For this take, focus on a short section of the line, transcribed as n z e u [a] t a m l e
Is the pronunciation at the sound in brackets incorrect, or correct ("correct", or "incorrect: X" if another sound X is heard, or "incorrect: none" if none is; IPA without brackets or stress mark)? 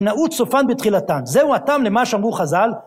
correct